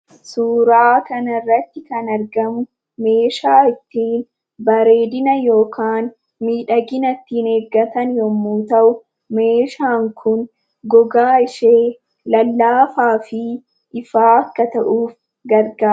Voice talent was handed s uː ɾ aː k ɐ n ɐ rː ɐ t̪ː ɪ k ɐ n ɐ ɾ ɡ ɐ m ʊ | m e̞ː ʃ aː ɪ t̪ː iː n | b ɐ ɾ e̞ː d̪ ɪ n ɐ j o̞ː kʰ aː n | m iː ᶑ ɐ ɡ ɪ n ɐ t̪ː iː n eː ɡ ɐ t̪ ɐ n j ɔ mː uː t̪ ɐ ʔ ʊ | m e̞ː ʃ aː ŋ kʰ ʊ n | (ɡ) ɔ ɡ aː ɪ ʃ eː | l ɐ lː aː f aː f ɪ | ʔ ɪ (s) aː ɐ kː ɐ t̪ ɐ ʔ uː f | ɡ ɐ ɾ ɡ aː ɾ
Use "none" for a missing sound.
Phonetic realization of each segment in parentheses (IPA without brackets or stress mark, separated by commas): ɡ, f